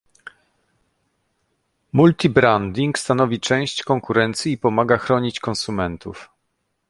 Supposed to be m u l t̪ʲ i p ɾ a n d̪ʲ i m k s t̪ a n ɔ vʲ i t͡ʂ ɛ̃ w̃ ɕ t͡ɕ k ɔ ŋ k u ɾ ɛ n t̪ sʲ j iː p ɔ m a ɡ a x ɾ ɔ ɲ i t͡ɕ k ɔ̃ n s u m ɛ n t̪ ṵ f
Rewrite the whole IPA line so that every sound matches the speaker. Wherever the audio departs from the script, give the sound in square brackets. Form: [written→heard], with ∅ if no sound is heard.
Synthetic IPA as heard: m u l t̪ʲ i [p→b] ɾ a n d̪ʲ i [m→ŋ] k s t̪ a n ɔ vʲ i t͡ʂ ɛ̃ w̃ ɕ t͡ɕ k ɔ ŋ k u ɾ ɛ n t̪ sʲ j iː p ɔ m a ɡ a x ɾ ɔ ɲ i t͡ɕ k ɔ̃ n s u m ɛ n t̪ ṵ f